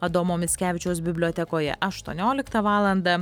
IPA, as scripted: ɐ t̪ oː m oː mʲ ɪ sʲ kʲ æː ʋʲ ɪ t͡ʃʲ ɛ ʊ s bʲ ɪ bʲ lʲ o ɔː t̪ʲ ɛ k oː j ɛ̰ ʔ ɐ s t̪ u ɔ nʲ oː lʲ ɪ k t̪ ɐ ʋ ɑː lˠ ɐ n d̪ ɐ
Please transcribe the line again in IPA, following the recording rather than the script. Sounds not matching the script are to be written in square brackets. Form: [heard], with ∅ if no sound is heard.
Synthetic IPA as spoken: ɐ [d̪] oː m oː mʲ ɪ sʲ kʲ æː ʋʲ ɪ t͡ʃʲ ɛ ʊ s bʲ ɪ bʲ lʲ o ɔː t̪ʲ ɛ k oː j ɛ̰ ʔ ɐ [ʃ] t̪ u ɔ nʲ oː lʲ ɪ k t̪ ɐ ʋ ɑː lˠ ɐ n d̪ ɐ

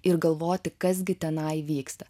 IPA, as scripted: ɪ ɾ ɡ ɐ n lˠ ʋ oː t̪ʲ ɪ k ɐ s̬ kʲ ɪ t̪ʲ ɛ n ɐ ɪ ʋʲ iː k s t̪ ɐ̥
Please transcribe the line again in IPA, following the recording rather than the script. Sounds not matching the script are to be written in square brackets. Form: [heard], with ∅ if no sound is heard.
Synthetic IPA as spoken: ɪ ɾ ɡ ɐ [∅] lˠ ʋ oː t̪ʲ ɪ k ɐ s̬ [ɡʲ] ɪ t̪ʲ ɛ n ɐ ɪ ʋʲ iː k s t̪ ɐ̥

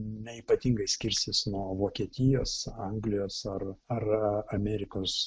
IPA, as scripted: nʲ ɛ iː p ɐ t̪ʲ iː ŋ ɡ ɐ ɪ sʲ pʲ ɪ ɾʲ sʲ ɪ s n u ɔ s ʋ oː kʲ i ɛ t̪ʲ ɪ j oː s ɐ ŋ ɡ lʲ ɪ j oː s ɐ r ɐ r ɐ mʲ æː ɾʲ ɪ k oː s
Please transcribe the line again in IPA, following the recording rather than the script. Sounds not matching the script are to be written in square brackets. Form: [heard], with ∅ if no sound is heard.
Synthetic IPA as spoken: nʲ ɛ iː p ɐ t̪ʲ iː ŋ ɡ ɐ ɪ sʲ [kʲ] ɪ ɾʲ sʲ ɪ s n u ɔ [∅] ʋ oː kʲ i ɛ t̪ʲ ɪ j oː s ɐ ŋ ɡ lʲ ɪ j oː s ɐ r ɐ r ɐ mʲ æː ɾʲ ɪ k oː s

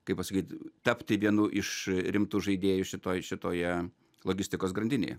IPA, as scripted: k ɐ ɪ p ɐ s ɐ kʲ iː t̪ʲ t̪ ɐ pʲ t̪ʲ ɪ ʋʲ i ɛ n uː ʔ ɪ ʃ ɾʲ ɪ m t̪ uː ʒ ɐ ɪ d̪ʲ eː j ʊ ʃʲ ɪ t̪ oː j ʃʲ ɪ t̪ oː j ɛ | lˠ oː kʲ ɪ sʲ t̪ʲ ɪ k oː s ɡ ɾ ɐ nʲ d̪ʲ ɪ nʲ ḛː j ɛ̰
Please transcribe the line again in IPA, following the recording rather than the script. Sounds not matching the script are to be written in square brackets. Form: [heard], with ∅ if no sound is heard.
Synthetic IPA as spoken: k ɐ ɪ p ɐ s ɐ kʲ iː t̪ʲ t̪ ɐ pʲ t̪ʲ ɪ ʋʲ i ɛ n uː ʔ ɪ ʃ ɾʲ ɪ m t̪ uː ʒ ɐ ɪ d̪ʲ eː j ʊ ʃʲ ɪ t̪ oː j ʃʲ ɪ t̪ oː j ɛ | lˠ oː [ɡʲ] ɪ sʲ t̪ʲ ɪ k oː s ɡ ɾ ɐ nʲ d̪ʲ ɪ nʲ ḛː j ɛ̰

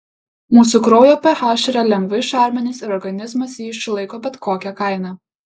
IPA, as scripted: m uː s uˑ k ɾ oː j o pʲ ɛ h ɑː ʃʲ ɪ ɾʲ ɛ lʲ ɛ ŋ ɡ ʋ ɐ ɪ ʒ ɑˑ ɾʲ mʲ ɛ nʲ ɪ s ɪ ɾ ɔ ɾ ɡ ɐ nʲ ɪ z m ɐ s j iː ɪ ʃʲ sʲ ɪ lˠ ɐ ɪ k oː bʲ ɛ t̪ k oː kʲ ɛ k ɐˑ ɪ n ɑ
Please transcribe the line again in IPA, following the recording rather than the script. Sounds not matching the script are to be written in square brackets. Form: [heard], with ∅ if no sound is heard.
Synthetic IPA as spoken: m uː s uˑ k ɾ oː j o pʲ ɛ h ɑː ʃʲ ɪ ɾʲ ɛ lʲ ɛ ŋ ɡ ʋ ɐ ɪ [ʃ] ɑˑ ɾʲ mʲ ɛ nʲ ɪ s ɪ ɾ ɔ ɾ ɡ ɐ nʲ ɪ z m ɐ s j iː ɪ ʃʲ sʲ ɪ lˠ ɐ ɪ k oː bʲ ɛ t̪ k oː kʲ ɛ k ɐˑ ɪ n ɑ

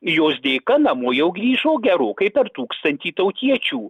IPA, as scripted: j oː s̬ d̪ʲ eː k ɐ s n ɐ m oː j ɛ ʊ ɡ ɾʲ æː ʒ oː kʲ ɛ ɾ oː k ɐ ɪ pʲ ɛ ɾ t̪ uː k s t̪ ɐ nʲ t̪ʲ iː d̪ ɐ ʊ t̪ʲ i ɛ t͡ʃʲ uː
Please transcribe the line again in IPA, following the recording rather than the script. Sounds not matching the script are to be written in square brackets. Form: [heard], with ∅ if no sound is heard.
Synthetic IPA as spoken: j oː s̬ d̪ʲ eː k ɐ [∅] n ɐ m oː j ɛ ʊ ɡ ɾʲ [iː] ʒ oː [ɡʲ] ɛ ɾ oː k ɐ ɪ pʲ ɛ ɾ t̪ uː k s t̪ ɐ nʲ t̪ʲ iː [t̪] ɐ ʊ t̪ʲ i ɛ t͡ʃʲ uː

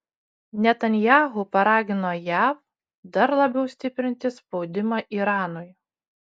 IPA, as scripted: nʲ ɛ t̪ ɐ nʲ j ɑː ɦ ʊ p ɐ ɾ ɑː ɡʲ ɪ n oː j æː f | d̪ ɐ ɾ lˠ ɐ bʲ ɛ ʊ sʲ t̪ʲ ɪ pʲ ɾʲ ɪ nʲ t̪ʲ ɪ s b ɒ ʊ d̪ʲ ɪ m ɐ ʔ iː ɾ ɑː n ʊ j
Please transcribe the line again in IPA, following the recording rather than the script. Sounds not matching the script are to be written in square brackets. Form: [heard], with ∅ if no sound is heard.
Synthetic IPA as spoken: nʲ ɛ t̪ ɐ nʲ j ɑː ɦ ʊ p ɐ ɾ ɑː ɡʲ ɪ n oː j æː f | d̪ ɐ ɾ lˠ ɐ bʲ ɛ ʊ sʲ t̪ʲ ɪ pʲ ɾʲ ɪ nʲ t̪ʲ ɪ s [p] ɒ ʊ d̪ʲ ɪ m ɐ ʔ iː ɾ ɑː n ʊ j

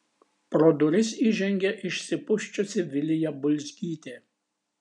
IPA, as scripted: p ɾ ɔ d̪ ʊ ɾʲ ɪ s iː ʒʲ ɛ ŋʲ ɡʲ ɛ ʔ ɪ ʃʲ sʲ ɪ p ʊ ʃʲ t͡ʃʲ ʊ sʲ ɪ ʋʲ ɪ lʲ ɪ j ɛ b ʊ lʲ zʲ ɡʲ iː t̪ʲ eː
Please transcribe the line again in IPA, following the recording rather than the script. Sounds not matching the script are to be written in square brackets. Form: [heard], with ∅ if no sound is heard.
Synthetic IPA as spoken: p ɾ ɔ d̪ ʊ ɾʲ ɪ s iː ʒʲ ɛ ŋʲ ɡʲ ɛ ʔ ɪ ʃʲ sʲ ɪ p ʊ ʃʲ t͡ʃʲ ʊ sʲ ɪ ʋʲ ɪ lʲ ɪ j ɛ b ʊ lʲ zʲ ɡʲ iː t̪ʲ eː

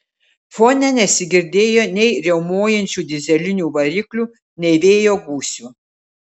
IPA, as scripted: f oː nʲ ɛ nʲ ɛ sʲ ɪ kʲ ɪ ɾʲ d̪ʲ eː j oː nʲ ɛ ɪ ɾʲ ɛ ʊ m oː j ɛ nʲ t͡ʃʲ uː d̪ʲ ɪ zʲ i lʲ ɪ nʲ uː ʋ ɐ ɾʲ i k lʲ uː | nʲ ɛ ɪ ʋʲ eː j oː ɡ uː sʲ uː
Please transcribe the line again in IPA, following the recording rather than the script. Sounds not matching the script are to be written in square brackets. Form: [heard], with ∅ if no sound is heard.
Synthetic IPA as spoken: f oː nʲ ɛ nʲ ɛ sʲ ɪ [ɡʲ] ɪ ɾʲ d̪ʲ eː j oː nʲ ɛ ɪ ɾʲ ɛ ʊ m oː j ɛ nʲ t͡ʃʲ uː d̪ʲ ɪ zʲ [ɛ] lʲ ɪ nʲ uː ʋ ɐ ɾʲ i k lʲ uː | nʲ ɛ ɪ ʋʲ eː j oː ɡ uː sʲ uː

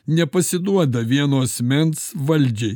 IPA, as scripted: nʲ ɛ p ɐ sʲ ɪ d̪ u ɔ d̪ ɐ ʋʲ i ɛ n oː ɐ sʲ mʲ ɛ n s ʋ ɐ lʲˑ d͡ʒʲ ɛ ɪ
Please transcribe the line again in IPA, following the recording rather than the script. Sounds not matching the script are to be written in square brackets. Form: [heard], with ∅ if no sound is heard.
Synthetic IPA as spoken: nʲ ɛ p ɐ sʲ ɪ d̪ u ɔ d̪ ɐ ʋʲ i ɛ n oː ɐ sʲ mʲ ɛ n s ʋ ɐ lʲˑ d͡ʒʲ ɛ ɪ

